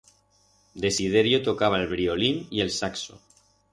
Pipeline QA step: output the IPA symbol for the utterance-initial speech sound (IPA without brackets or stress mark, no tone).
d̪